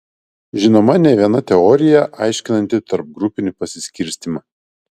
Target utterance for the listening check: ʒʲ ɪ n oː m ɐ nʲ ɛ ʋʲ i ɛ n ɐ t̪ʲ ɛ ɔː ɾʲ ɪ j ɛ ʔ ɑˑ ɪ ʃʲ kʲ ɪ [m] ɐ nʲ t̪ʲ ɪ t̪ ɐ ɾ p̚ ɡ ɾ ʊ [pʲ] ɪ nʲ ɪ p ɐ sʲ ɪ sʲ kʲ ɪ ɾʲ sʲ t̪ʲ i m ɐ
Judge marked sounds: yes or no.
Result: no, yes

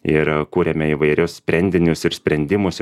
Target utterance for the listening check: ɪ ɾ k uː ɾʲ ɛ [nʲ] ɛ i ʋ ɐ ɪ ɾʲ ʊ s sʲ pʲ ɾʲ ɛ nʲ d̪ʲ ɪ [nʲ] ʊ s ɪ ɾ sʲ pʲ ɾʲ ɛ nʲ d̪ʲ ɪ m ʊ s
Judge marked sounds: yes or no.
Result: no, yes

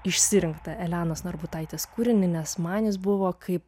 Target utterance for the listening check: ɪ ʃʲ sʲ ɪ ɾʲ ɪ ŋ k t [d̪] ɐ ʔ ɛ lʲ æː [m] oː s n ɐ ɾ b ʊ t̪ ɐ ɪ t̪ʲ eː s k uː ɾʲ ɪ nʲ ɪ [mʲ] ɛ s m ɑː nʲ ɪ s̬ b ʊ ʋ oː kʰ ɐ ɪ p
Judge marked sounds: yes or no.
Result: no, no, no

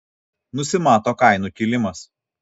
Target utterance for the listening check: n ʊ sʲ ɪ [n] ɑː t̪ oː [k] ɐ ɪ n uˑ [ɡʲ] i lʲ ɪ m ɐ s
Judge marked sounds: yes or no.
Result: no, yes, no

